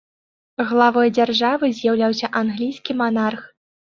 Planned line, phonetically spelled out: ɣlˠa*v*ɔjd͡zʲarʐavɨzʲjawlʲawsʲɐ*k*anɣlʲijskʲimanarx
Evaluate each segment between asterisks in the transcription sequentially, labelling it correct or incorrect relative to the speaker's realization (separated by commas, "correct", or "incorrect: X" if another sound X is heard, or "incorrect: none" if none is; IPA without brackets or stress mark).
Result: correct, incorrect: ʔ